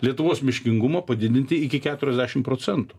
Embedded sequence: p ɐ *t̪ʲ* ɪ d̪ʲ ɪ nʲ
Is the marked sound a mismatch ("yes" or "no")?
yes